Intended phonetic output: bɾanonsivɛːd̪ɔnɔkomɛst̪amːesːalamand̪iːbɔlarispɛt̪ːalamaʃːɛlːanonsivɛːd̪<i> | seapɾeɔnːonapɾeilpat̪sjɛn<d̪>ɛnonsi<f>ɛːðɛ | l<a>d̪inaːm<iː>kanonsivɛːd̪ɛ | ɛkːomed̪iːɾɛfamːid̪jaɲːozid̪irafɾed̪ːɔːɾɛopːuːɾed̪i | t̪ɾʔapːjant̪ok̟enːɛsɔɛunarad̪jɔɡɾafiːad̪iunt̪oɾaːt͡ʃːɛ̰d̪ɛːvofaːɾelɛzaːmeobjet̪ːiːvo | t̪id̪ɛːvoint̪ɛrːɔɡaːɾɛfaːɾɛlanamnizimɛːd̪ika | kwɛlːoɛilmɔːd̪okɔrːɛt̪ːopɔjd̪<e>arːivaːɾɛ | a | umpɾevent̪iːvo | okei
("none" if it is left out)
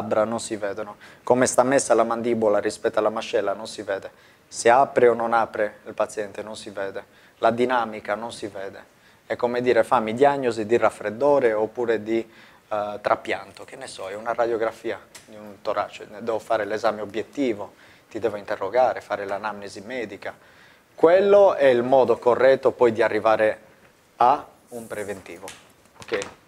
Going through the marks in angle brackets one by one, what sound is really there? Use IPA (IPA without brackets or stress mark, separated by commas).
ɛ, t̪, v, a, i, i